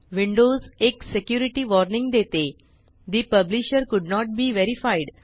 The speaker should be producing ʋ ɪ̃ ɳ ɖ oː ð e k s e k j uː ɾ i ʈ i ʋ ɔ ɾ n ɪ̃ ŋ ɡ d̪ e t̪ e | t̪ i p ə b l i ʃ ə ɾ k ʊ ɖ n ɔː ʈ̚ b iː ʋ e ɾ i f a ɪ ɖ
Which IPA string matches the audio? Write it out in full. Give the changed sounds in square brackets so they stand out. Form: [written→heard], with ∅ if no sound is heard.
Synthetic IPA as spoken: ʋ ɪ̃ ɳ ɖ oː [ð→z] e k s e k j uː ɾ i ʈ i ʋ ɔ ɾ n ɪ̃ ŋ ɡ d̪ e t̪ e | [t̪→d̪] i p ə b l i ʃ ə ɾ k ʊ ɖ n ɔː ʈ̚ b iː ʋ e ɾ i f a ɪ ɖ